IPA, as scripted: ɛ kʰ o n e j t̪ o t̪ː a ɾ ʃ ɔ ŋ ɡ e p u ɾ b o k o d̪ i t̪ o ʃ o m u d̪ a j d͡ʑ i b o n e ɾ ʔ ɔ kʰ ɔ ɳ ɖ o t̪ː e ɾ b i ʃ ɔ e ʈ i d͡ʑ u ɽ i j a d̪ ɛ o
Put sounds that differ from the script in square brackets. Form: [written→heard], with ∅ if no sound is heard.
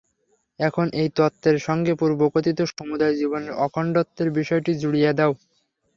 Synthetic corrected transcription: ɛ kʰ o n e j t̪ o t̪ː [a→e] ɾ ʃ ɔ ŋ ɡ e p u ɾ b o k o [d̪→t̪] i t̪ o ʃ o m u d̪ a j d͡ʑ i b o n e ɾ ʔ ɔ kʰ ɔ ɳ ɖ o t̪ː e ɾ b i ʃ ɔ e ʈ i d͡ʑ u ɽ i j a d̪ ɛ o